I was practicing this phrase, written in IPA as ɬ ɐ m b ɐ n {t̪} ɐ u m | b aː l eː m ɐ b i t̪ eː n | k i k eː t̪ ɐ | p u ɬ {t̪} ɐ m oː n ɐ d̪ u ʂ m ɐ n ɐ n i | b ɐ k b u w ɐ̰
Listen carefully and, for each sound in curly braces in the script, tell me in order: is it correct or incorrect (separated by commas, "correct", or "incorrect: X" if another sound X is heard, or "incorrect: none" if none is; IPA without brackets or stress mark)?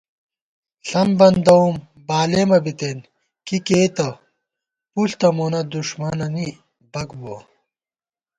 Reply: incorrect: d̪, correct